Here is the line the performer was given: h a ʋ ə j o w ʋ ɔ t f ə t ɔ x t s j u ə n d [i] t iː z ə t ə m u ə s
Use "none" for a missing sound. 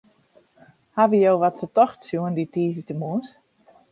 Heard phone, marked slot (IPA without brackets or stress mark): i